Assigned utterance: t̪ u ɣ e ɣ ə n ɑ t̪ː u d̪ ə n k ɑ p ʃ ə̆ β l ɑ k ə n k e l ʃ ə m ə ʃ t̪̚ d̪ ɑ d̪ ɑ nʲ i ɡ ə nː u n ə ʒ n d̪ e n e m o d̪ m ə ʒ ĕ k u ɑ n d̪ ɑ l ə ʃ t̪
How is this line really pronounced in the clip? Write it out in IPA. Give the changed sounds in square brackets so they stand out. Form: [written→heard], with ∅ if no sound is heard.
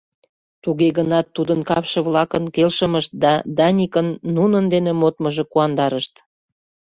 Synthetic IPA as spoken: t̪ u ɣ e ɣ ə n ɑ t̪ː u d̪ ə n k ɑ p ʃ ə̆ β l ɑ k ə n k e l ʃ ə m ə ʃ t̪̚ d̪ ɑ d̪ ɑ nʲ i [ɡ→k] ə nː u n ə [ʒ→∅] n d̪ e n e m o [d̪→t̪] m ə ʒ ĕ k u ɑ n d̪ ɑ [l→ɾ] ə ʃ t̪

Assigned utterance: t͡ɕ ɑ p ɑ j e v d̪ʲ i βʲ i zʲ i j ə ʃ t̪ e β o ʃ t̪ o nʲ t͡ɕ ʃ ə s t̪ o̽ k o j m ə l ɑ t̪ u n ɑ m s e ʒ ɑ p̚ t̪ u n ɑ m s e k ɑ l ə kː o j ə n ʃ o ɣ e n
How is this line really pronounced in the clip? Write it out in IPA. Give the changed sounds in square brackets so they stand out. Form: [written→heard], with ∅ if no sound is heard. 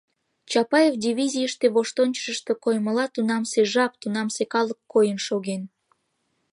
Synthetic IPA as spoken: t͡ɕ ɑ p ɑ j e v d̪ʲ i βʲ i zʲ i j ə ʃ t̪ e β o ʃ t̪ o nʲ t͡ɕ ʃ ə [s→ʃ] t̪ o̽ k o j m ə l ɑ t̪ u n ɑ m s e ʒ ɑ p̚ t̪ u n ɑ m s e k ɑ l ə kː o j ə n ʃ o ɣ e n

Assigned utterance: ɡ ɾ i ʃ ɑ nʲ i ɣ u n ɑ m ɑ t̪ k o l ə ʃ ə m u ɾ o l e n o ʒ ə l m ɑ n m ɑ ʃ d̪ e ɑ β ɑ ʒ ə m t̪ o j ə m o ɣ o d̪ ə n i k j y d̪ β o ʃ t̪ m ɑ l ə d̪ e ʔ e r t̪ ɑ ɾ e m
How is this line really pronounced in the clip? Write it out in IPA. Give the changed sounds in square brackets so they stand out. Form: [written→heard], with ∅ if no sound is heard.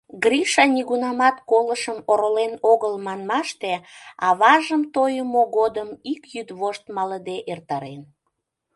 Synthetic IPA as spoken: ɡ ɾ i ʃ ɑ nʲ i ɣ u n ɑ m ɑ t̪ k o l ə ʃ ə m [u→o] ɾ o l e n o [ʒ→ɣ] ə l m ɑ n m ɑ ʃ [d̪→t̪] e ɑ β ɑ ʒ ə m t̪ o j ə m o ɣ o d̪ ə [n→m] i k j y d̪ β o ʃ t̪ m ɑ l ə d̪ e ʔ e r t̪ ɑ ɾ e [m→n]

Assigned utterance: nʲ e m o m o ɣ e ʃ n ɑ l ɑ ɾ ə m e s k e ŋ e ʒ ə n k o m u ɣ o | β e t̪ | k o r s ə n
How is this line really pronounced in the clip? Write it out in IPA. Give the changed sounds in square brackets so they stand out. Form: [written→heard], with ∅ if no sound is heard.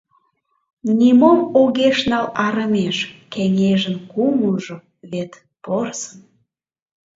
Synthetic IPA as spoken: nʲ [e→i] m o m o ɣ e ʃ n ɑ l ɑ ɾ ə m e [s→ʃ] k e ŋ e ʒ ə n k [o→u] m u [ɣ→ʒ] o | β e t̪ | [k→p] o r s ə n

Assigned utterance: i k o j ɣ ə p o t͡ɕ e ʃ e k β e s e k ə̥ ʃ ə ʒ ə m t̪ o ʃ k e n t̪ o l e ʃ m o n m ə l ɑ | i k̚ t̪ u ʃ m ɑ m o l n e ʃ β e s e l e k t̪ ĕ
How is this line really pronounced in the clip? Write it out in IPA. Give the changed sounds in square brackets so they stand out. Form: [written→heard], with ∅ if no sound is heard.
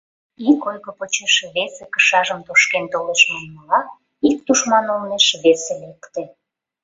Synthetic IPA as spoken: i k o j ɣ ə p o t͡ɕ e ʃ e [k→∅] β e s e k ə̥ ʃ [ə→ɑ] ʒ ə m t̪ o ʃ k e n t̪ o l e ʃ m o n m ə l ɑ | i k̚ t̪ u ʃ m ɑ [m→n] o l n e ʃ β e s e l e k t̪ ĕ

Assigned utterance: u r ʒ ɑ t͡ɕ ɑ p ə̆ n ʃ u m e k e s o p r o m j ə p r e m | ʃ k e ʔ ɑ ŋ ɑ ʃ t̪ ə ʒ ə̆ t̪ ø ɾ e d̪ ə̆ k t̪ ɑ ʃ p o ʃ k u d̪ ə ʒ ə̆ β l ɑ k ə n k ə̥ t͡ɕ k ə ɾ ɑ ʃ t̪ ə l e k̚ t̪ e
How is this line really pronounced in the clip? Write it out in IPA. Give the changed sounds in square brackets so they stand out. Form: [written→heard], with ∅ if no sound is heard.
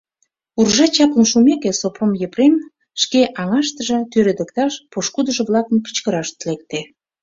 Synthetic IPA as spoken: u r ʒ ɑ t͡ɕ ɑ p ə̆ n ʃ u m e k e s o p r o m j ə p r e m | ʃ k e ʔ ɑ ŋ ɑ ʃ t̪ ə ʒ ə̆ t̪ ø ɾ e d̪ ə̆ k t̪ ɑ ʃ p o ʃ k u d̪ ə ʒ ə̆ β l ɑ k ə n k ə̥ t͡ɕ k ə ɾ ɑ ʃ t̪ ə l e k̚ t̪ e

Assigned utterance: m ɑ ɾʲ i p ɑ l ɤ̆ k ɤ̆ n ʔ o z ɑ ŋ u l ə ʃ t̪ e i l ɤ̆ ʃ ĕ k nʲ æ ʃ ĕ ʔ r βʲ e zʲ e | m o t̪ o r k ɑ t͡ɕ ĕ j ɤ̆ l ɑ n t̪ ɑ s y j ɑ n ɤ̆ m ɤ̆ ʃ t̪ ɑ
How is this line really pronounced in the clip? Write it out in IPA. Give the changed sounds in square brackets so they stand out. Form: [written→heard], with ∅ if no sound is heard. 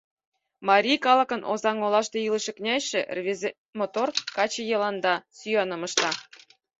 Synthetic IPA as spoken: m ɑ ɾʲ i [p→k] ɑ l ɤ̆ k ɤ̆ n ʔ o z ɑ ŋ [u→o] l [ə→ɑ] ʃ t̪ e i l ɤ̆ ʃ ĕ k nʲ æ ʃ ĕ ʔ r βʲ e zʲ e | m o t̪ o r k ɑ t͡ɕ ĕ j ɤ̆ l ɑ n [t̪→d̪] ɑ s y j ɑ n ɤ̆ m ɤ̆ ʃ t̪ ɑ

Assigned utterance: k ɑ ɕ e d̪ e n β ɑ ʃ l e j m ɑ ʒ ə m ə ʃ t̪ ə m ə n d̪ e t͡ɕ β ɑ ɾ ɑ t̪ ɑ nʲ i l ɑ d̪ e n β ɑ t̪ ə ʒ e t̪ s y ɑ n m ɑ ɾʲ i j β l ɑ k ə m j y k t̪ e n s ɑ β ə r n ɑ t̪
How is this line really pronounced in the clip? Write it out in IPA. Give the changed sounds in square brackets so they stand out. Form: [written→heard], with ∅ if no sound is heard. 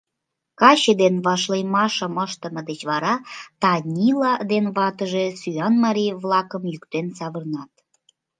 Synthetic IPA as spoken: k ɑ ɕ e d̪ e n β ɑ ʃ l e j m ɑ [ʒ→ʃ] ə m ə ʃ t̪ ə m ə [n→∅] d̪ e t͡ɕ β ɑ ɾ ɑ t̪ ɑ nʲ i l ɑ d̪ e n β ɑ t̪ ə ʒ e [t̪→∅] s y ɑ n m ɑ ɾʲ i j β l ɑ k ə m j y k t̪ e n s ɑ β ə r n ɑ t̪

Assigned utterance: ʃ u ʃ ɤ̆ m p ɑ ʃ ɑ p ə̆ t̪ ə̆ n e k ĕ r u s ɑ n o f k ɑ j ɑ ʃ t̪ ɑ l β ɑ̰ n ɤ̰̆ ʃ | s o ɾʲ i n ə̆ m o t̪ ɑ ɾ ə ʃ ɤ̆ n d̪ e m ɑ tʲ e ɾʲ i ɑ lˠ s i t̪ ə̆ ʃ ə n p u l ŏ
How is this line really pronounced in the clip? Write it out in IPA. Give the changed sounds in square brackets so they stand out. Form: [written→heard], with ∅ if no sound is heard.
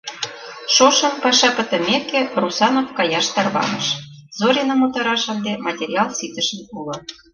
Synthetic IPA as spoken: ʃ [u→o] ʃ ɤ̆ m p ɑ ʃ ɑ p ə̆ t̪ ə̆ [n→m] e k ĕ r u s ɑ n o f k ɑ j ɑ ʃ t̪ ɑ [l→r] β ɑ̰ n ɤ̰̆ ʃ | [s→z] o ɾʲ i n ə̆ m o t̪ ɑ ɾ [ə→ɑ] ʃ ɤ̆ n d̪ e m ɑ tʲ e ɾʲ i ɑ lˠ s i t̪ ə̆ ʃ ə n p u l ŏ

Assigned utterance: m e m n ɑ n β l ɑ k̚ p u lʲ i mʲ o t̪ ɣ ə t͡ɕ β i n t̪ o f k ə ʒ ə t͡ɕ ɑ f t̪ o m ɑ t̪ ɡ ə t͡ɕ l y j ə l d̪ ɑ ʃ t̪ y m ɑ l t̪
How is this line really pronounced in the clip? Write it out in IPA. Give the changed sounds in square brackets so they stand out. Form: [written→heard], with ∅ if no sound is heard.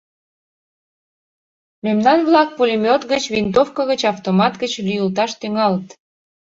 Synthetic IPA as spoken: m e m n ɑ n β l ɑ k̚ p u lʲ i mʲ o t̪ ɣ ə t͡ɕ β i n t̪ o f k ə [ʒ→ɣ] ə t͡ɕ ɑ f t̪ o m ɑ t̪ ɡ ə t͡ɕ l y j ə l [d̪→t̪] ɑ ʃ t̪ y [m→ŋ] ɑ l t̪

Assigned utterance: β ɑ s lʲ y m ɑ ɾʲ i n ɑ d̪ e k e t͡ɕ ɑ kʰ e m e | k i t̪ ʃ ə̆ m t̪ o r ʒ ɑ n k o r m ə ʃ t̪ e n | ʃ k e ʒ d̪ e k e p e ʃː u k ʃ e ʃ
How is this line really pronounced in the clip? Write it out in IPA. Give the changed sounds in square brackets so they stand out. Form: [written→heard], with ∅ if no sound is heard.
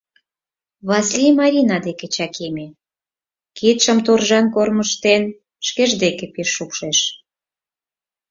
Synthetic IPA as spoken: β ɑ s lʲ [y→i] m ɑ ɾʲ i n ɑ d̪ e k e t͡ɕ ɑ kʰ e m e | k i t̪ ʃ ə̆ m t̪ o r ʒ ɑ n k o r m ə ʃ t̪ e n | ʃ k e ʒ d̪ e k e p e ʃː u k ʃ e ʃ

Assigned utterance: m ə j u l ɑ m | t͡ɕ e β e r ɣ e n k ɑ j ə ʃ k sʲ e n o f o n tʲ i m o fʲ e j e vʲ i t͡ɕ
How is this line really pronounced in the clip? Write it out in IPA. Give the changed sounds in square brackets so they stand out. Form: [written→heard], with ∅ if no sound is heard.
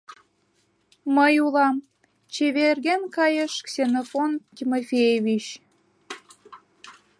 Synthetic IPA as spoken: m ə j u l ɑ m | t͡ɕ e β e r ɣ e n k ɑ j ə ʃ k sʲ e n o f o n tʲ i m o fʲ e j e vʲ i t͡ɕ

